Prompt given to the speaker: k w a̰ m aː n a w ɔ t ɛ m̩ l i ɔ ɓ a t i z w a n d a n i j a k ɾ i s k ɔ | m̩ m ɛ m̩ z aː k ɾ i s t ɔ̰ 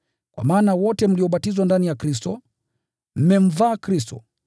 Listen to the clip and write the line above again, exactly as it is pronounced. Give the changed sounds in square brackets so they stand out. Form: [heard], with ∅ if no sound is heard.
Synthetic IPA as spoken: k w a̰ m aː n a w ɔ t ɛ m̩ l i ɔ ɓ a t i z w a n d a n i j a k ɾ i s [t] ɔ | m̩ m ɛ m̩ [v] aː k ɾ i s t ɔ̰

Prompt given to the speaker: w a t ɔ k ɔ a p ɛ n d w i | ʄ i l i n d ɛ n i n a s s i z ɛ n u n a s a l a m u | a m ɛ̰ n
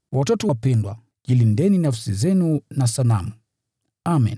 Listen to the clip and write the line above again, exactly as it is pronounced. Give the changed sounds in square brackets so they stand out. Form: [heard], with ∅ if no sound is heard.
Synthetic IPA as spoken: w a t ɔ [t] ɔ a p ɛ n d w [a] | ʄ i l i n d ɛ n i n a [f] s i z ɛ n u n a s a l a m u | a m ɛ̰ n

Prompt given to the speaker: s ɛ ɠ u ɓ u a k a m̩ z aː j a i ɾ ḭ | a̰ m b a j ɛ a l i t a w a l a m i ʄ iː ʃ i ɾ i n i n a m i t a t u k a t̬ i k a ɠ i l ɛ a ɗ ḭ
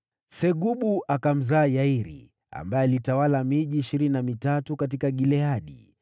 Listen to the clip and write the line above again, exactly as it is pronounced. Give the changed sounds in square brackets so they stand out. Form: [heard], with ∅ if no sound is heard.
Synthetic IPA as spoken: s ɛ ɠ u ɓ u a k a m̩ z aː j a i ɾ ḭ | a̰ m b a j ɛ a l i t a w a l a m i ʄ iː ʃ i ɾ i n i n a m i t a t u k a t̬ i k a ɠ i l ɛ a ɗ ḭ

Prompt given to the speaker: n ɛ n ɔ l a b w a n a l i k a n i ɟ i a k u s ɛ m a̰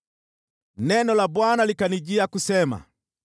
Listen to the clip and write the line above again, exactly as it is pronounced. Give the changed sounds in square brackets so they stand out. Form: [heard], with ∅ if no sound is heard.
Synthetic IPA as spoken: n ɛ n ɔ l a b w a n a l i k a n i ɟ i a k u s ɛ m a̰

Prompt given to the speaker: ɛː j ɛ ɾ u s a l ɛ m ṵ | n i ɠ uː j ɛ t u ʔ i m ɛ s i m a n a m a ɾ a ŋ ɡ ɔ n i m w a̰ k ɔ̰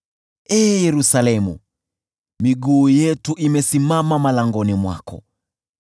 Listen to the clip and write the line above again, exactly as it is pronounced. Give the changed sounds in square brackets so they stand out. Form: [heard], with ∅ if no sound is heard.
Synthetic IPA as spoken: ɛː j ɛ ɾ u s a l ɛ m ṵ | [m] i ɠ uː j ɛ t u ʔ i m ɛ s i m a [m] a m a [l] a ŋ ɡ ɔ n i m w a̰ k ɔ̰

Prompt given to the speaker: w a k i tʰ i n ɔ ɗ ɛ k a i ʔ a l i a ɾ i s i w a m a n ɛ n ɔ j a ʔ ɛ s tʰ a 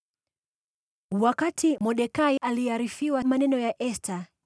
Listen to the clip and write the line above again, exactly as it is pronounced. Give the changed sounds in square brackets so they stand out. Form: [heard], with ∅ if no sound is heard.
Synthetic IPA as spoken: w a k [a] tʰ i [m] ɔ ɗ ɛ k a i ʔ a l i a ɾ i [f] i w a m a n ɛ n ɔ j a ʔ ɛ s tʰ a

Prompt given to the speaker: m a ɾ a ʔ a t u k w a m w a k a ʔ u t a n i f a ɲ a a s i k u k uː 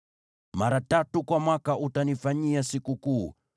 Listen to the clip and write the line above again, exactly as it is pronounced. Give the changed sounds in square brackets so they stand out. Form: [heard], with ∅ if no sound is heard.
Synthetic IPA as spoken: m a ɾ a [t] a t u k w a m w a k a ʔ u t a n i f a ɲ [i] a s i k u k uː

